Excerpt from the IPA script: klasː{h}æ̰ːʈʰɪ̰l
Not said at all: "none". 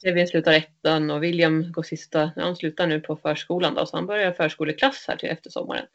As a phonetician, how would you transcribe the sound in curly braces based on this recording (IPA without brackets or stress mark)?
h